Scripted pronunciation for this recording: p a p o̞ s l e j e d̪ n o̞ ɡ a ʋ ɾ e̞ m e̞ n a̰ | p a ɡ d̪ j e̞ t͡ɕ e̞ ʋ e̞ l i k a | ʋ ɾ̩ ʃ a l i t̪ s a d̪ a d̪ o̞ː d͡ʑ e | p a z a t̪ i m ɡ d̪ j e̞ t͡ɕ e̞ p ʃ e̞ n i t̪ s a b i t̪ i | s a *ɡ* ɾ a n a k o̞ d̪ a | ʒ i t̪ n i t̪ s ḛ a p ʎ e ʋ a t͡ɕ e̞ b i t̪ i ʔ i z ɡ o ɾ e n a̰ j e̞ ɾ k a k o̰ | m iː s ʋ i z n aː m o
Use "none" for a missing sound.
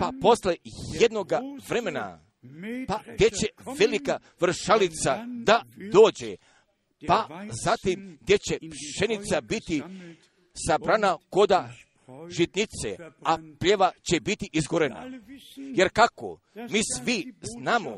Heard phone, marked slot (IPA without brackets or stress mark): b